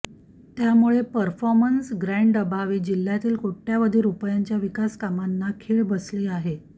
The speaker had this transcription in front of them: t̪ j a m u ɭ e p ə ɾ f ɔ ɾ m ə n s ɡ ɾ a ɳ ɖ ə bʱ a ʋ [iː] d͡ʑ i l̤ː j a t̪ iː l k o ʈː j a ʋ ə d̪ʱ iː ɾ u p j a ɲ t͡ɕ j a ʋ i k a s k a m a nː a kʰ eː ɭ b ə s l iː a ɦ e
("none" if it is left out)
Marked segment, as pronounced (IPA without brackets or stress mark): iː